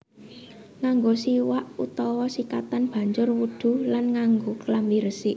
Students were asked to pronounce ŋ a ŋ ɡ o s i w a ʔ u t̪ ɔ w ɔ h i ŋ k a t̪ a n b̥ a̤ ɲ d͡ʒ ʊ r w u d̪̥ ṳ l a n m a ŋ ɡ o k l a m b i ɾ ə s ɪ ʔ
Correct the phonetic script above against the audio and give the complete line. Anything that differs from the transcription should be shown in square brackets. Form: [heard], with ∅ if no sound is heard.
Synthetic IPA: ŋ a ŋ ɡ o s i w a ʔ u t̪ ɔ w ɔ [s] i [∅] k a t̪ a n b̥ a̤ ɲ d͡ʒ ʊ r w u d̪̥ ṳ l a n [ŋ] a ŋ ɡ o k l a m b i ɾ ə s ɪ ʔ